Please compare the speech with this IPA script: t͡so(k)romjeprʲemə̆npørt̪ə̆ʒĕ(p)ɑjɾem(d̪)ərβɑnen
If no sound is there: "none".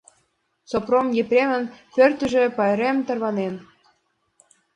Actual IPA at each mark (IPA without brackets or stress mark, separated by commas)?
p, p, t̪